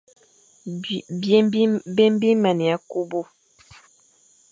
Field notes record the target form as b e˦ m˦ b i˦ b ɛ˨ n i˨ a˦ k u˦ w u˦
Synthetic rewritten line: b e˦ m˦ b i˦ m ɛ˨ n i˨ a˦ k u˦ b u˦